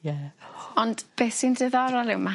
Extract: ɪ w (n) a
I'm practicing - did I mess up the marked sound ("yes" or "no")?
yes